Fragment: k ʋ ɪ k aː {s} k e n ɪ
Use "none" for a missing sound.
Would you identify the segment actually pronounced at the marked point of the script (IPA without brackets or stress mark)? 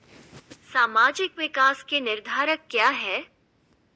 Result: s